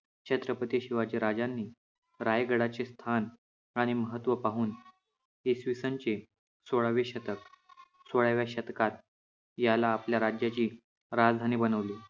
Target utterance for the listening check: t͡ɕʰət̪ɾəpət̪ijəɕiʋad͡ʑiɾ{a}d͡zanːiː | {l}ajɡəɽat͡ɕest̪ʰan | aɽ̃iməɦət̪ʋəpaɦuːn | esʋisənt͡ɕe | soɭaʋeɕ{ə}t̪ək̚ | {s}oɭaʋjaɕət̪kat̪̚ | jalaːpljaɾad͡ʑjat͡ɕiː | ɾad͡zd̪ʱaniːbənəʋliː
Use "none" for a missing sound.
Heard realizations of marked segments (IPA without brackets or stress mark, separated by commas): a, ɾ, ə, s